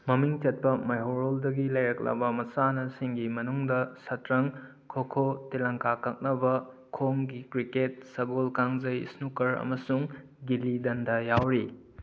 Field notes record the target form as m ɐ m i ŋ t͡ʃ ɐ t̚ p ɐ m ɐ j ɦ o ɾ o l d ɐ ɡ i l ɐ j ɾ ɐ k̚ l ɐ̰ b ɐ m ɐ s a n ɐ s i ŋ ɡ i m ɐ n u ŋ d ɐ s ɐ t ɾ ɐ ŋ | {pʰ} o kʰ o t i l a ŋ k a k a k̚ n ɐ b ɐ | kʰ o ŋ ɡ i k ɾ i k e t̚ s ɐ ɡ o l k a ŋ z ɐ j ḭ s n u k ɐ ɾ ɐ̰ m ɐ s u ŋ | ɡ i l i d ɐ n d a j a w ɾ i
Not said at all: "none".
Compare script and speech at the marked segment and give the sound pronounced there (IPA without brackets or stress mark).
kʰ